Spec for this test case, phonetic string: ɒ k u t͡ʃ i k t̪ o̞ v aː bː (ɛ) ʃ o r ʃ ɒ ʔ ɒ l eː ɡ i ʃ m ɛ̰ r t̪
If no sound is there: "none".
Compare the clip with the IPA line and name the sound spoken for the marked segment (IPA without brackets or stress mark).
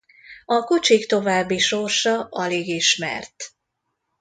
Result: i